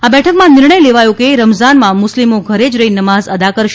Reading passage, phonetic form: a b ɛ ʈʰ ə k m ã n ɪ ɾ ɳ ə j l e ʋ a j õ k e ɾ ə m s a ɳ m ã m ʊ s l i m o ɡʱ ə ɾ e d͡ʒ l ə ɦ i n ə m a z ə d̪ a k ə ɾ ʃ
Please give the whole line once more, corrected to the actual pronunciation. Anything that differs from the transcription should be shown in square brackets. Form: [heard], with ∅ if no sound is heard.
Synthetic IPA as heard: a b ɛ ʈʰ ə k m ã n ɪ ɾ ɳ ə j l e ʋ a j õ k e ɾ ə m [z] a [n] m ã m ʊ s l i m o ɡʱ ə ɾ e d͡ʒ [ɾ] ə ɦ i n ə m a z ə d̪ a k ə ɾ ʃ